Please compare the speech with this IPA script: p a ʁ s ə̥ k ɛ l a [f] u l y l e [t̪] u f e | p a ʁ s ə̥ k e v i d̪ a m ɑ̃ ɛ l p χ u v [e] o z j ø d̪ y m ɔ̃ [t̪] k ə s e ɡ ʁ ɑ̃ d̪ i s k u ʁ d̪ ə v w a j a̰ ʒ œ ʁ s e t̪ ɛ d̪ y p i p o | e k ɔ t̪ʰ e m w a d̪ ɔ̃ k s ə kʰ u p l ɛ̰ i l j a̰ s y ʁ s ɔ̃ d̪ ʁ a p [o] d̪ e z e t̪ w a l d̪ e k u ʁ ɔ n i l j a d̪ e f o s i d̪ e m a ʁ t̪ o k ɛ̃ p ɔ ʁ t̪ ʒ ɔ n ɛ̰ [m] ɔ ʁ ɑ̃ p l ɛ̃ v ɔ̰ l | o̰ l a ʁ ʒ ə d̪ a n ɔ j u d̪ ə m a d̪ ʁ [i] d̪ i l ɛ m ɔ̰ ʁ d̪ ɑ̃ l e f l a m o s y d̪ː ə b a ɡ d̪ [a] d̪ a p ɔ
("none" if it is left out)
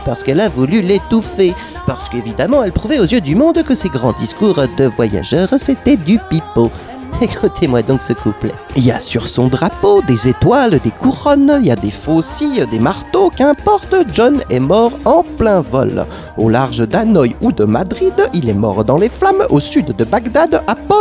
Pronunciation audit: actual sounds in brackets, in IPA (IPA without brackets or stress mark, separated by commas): v, t̪, ɛ, d̪, o, m, i, a